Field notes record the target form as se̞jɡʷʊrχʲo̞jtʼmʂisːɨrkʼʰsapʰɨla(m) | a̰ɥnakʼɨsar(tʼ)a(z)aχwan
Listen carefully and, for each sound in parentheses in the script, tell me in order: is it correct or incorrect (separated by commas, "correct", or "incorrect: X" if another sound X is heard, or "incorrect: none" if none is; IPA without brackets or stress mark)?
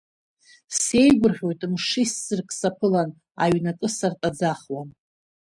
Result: incorrect: n, correct, incorrect: d͡z